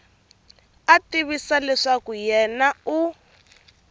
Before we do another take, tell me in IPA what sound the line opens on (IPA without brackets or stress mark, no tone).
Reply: a